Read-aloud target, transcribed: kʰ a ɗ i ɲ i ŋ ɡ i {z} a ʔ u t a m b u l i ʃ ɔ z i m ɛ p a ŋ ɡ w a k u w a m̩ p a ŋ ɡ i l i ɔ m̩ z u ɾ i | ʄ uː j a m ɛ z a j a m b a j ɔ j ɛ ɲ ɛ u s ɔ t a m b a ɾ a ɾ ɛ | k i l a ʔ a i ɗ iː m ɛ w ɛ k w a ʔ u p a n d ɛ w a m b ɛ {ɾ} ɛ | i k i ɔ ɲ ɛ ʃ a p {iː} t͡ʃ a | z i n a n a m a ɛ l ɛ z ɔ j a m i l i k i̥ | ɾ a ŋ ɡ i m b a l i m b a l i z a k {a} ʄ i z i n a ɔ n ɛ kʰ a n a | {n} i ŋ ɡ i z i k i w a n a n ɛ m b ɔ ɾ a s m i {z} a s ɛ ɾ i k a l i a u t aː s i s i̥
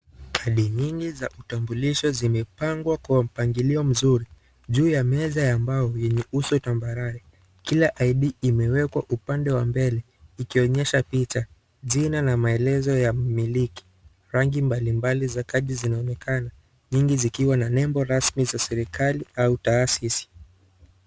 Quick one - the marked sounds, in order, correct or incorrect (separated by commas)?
correct, incorrect, incorrect, correct, incorrect, correct